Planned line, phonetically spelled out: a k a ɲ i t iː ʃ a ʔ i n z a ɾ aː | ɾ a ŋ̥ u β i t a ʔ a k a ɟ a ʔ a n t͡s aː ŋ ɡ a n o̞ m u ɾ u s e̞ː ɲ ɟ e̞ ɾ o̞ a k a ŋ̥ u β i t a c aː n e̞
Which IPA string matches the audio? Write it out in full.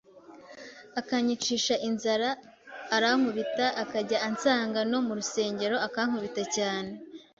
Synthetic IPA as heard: a k a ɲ i t͡ʃ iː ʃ a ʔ i n z a ɾ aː | ɾ a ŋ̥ u β i t a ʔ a k a ɟ a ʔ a n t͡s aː ŋ ɡ a n o̞ m u ɾ u s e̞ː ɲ ɟ e̞ ɾ o̞ a k a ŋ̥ u β i t a c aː n e̞